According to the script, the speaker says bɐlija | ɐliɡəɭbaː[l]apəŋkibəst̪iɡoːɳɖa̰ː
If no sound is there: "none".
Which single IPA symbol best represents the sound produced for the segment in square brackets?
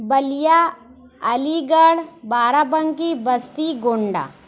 ɾ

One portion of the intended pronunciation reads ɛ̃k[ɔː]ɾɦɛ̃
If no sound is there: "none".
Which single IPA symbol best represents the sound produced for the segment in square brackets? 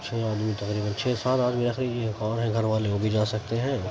ɔː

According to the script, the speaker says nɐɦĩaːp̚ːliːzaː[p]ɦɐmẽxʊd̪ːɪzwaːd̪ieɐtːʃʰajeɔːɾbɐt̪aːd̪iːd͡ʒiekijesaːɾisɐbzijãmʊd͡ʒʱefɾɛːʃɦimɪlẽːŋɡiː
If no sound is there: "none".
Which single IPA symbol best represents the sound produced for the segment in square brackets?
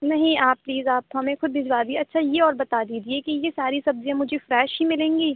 p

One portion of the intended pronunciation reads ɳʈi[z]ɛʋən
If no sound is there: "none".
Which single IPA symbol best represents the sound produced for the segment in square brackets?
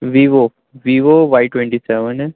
s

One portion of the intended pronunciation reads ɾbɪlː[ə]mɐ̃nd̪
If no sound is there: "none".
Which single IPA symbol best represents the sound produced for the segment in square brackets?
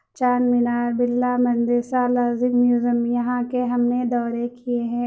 a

